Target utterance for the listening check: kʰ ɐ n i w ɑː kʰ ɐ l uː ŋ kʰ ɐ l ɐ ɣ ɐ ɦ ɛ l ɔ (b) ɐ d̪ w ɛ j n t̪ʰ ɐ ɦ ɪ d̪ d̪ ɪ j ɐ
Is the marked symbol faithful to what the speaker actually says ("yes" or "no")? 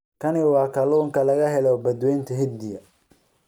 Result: yes